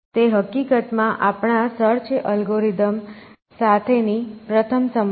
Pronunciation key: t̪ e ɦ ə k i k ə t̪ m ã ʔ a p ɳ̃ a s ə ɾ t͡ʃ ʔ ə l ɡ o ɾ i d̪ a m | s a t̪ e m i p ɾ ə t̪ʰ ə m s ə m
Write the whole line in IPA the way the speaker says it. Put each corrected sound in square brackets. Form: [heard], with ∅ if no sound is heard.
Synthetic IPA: t̪ e ɦ ə k i k ə t̪ m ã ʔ a p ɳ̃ a s ə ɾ t͡ʃ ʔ ə l ɡ o ɾ i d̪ [ə] m | s a [t̪ʰ] e [n] i p ɾ ə t̪ʰ ə m s ə m